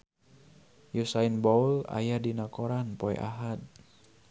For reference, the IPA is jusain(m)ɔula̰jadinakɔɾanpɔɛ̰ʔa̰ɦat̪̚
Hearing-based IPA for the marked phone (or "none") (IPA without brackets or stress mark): b